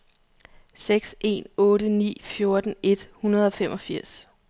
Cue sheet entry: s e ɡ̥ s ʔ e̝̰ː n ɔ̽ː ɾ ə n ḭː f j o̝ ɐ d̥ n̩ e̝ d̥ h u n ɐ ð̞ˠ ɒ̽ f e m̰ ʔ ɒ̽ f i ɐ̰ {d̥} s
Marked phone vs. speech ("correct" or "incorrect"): incorrect